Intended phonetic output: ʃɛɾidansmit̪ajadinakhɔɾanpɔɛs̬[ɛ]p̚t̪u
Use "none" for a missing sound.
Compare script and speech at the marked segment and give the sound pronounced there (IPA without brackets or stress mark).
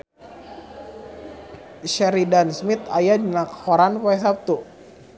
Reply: a